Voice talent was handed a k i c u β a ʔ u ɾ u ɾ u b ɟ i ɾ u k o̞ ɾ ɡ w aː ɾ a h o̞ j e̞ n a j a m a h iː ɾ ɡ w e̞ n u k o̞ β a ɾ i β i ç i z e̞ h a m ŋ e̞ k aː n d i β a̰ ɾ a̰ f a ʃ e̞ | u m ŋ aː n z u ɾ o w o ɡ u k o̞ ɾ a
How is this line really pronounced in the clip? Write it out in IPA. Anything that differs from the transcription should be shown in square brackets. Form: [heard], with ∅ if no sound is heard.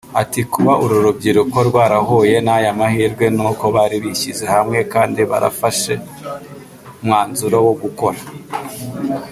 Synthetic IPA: a [t] i [k] u β a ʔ u ɾ u ɾ u b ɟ i ɾ u k o̞ ɾ ɡ w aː ɾ a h o̞ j e̞ n a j a m a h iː ɾ ɡ w e̞ n u k o̞ β a ɾ i β i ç i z e̞ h a m ŋ e̞ k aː n d i β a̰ ɾ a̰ f a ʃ e̞ | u m ŋ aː n z u ɾ o w o ɡ u k o̞ ɾ a